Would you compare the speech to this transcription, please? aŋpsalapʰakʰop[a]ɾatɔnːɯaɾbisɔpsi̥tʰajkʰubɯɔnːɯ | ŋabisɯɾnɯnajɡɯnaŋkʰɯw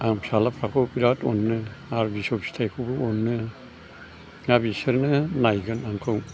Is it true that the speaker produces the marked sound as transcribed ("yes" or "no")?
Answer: no